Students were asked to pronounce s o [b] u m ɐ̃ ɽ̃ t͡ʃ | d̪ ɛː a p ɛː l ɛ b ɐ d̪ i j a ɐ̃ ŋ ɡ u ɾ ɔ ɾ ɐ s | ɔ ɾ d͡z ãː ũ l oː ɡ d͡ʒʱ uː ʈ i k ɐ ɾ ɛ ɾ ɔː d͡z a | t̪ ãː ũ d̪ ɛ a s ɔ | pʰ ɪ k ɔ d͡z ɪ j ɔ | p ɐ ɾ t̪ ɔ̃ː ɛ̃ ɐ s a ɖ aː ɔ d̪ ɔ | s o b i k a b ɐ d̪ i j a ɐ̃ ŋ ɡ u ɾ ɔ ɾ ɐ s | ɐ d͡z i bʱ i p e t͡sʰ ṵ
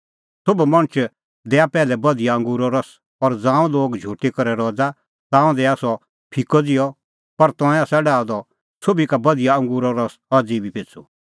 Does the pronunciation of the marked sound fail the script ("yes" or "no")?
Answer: no